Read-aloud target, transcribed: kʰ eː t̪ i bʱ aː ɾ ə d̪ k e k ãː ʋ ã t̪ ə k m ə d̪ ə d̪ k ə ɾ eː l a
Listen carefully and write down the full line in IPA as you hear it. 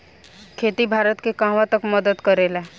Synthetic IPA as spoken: kʰ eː t̪ i bʱ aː ɾ ə t̪ k e k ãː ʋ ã t̪ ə k m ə d̪ ə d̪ k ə ɾ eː l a